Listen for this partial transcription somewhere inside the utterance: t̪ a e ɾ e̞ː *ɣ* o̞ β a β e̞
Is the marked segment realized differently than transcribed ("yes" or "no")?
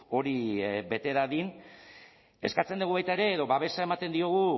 yes